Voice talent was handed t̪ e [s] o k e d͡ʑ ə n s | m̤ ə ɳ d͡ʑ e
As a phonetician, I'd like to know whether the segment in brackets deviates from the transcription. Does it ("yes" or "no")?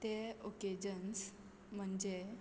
yes